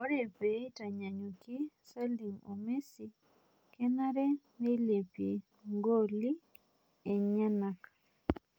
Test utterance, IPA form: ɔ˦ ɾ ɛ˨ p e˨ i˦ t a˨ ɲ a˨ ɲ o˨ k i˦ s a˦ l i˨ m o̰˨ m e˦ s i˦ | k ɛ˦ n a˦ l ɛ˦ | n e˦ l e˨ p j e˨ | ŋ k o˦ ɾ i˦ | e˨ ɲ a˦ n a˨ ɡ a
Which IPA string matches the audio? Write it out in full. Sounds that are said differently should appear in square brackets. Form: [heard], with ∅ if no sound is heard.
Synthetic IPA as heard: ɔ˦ ɾ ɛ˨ p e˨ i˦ t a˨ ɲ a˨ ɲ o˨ k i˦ s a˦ l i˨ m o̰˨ m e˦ s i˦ | k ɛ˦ n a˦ [ɾ] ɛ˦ | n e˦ l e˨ p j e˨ | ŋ [ɡ] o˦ [l] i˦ | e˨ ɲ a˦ n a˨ [k] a